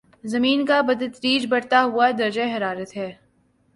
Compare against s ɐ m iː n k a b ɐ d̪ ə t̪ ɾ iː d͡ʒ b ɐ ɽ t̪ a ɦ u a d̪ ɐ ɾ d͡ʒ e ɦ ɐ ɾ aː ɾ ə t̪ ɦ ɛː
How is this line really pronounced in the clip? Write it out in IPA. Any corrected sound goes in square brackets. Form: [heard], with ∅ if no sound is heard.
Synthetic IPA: [z] ɐ m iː n k a b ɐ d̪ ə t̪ ɾ iː d͡ʒ b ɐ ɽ t̪ a ɦ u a d̪ ɐ ɾ d͡ʒ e ɦ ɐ ɾ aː ɾ ə t̪ ɦ ɛː